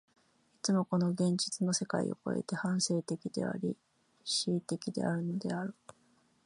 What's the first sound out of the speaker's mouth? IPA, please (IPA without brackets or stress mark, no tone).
i